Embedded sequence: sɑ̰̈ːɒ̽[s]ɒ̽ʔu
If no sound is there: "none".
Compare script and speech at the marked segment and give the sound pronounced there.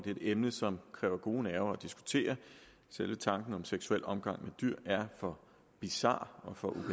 f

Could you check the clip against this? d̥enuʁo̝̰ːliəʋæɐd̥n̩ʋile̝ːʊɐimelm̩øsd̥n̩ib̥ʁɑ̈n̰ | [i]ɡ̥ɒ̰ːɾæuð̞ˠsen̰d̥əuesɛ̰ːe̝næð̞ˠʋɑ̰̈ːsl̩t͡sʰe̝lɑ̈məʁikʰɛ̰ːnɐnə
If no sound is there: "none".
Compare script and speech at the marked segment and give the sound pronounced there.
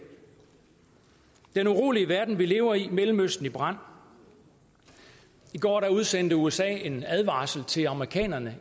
i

